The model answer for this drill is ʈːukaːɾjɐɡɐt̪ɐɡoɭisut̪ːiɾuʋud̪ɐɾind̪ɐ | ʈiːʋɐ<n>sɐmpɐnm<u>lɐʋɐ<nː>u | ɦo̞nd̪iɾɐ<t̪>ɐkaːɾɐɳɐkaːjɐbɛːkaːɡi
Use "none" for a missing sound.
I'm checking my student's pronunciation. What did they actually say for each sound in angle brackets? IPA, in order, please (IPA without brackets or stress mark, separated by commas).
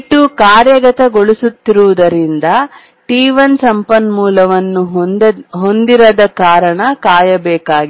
n, uː, nː, d̪